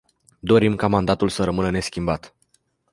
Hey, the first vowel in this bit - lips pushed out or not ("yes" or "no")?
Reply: yes